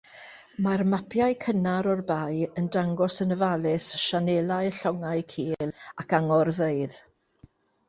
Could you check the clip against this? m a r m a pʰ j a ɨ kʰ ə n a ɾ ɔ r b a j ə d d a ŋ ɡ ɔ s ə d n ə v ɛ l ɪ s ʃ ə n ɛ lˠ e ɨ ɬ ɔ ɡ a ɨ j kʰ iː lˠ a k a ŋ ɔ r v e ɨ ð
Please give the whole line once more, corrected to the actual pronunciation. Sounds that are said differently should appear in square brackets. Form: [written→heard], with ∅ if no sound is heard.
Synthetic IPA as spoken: m a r m a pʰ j a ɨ kʰ ə n a ɾ ɔ r b a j ə [d→n] d a ŋ ɡ ɔ s ə [d→∅] n ə v [ɛ→a] l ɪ s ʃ [ə→a] n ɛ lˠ [e→a] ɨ ɬ ɔ [ɡ→ŋ] a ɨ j kʰ iː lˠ a k a ŋ ɔ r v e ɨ ð